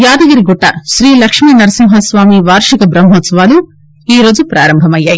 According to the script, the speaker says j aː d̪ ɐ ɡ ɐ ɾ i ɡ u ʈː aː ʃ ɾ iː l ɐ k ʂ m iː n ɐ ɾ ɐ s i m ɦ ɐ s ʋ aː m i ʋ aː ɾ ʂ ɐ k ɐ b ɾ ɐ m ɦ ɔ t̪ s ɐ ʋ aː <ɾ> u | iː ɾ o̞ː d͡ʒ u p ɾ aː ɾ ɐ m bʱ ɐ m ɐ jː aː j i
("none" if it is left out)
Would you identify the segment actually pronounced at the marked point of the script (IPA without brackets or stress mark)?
l